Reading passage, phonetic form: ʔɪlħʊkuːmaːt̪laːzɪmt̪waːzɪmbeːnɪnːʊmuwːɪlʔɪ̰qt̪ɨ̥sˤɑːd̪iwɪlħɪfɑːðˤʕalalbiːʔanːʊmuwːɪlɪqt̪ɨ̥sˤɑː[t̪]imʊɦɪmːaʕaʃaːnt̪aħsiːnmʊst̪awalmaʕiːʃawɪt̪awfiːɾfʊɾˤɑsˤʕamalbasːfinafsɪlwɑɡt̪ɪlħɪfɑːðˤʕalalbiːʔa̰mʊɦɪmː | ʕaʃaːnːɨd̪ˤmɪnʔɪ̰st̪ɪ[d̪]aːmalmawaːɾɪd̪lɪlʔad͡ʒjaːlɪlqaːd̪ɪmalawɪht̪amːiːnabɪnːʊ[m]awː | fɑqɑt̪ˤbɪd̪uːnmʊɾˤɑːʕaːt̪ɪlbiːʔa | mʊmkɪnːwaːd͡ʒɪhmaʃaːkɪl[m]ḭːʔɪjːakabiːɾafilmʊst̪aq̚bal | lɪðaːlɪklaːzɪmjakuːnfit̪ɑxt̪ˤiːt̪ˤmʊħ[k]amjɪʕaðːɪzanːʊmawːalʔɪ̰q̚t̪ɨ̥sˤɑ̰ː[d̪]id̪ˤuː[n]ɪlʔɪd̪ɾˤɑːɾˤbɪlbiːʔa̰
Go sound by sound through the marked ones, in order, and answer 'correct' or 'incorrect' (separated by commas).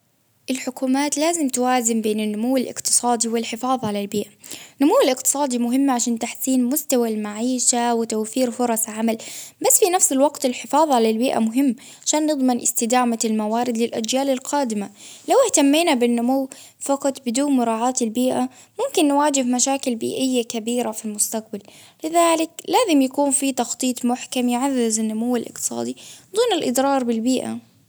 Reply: incorrect, correct, correct, incorrect, correct, correct, correct